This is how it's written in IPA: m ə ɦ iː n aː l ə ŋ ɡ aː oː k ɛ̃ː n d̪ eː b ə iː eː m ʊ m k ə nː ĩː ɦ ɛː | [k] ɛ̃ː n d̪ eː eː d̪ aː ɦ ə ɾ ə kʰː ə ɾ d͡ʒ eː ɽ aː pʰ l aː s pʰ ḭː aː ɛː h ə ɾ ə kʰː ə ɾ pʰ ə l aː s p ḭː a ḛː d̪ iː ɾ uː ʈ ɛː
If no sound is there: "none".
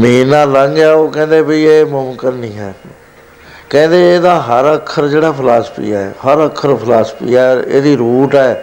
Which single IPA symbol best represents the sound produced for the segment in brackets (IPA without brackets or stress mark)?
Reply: k